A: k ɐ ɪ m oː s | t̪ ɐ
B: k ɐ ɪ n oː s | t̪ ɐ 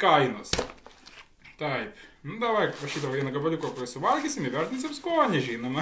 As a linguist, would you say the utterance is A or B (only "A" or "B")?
B